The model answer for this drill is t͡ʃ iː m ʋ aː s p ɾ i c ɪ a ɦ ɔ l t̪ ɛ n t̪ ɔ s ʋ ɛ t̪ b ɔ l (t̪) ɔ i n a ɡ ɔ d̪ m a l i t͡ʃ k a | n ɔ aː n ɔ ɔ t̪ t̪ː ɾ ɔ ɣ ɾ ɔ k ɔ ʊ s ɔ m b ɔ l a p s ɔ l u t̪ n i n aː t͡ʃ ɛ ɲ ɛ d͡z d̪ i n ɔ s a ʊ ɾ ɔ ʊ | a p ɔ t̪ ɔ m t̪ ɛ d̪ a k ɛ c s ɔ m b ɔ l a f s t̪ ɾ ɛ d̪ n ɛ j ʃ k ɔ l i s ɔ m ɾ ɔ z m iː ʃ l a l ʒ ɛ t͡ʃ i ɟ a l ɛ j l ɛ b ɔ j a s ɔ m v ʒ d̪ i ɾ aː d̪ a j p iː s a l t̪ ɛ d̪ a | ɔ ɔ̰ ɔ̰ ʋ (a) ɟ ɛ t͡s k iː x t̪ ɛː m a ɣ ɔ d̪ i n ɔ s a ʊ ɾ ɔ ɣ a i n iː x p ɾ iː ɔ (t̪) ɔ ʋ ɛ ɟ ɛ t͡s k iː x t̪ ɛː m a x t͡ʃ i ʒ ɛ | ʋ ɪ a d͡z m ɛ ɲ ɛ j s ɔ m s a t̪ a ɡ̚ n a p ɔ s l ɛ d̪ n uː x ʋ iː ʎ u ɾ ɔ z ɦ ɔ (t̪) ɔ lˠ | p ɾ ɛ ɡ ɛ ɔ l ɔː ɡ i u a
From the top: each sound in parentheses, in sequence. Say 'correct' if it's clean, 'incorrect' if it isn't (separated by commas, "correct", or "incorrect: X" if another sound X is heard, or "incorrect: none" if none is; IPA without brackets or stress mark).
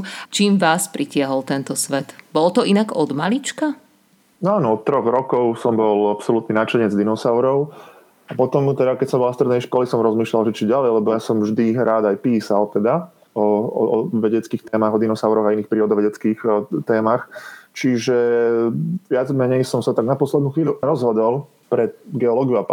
correct, incorrect: ɛ, incorrect: d̪, incorrect: d̪